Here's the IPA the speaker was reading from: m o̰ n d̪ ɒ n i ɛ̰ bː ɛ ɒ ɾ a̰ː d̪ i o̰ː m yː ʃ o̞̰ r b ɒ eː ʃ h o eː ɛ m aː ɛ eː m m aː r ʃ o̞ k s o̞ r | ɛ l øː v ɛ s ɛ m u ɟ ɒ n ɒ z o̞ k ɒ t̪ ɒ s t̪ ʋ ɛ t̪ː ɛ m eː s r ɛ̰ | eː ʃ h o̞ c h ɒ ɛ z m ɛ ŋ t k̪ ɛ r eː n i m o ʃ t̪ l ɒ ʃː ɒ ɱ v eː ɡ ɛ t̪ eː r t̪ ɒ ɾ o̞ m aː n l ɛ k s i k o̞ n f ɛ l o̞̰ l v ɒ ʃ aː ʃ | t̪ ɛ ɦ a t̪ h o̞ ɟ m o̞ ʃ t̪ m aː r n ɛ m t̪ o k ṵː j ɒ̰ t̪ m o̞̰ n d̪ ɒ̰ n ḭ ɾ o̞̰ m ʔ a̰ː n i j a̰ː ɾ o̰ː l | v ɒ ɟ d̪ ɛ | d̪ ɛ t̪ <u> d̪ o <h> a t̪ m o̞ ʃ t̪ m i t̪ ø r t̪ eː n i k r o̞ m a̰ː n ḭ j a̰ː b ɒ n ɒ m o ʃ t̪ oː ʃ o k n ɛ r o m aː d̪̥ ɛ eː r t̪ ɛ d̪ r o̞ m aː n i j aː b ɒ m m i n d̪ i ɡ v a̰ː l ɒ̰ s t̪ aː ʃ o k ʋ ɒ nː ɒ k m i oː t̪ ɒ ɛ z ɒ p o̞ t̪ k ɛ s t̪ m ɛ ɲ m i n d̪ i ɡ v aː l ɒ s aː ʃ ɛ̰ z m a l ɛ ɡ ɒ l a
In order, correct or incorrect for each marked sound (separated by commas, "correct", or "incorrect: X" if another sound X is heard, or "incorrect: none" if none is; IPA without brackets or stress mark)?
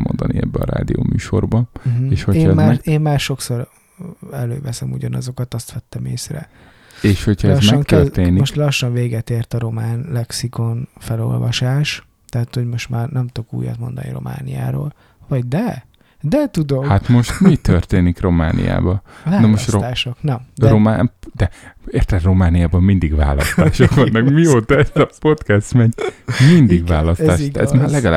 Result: correct, correct